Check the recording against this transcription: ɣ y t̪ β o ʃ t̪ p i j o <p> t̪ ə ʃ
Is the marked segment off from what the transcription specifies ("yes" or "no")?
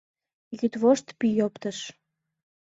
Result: no